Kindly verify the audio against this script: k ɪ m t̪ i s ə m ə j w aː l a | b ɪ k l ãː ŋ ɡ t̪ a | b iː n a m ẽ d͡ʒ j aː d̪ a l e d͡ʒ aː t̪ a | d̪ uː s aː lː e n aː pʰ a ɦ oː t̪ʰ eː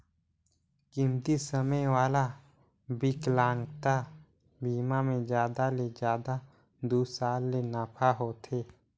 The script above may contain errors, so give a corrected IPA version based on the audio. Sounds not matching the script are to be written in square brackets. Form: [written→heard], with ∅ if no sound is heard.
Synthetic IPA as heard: k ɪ m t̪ i s ə m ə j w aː l a | b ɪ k l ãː ŋ ɡ t̪ a | b iː [n→m] a m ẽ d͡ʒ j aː d̪ a l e d͡ʒ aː [t̪→d̪] a | d̪ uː s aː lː e n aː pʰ a ɦ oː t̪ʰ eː